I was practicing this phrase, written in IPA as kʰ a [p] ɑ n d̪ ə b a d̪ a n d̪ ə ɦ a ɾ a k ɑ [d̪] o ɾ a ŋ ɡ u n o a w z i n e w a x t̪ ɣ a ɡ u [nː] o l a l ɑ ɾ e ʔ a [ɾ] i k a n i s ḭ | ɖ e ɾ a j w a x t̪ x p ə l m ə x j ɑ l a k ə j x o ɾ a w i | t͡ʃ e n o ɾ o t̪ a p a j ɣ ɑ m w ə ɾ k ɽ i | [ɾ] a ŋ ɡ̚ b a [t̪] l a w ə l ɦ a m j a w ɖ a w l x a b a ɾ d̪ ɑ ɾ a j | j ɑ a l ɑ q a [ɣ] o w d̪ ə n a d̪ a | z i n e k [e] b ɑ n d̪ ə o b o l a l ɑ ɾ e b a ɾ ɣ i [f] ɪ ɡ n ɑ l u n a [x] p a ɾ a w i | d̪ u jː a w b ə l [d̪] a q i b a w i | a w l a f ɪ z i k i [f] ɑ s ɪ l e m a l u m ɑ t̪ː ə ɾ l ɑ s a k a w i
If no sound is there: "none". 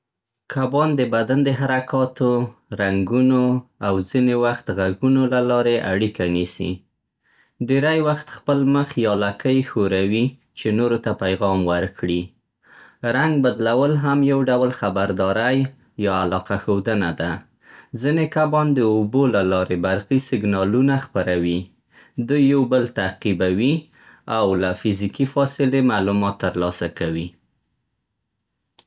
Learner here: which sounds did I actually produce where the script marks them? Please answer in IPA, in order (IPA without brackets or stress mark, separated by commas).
b, t̪, n, ɽ, ɾ, d̪, x, a, s, x, t̪, f